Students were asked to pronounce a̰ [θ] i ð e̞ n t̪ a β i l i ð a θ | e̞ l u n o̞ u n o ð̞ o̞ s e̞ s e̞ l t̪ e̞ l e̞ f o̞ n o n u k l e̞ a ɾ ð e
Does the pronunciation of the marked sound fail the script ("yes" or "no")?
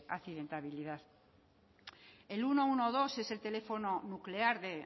no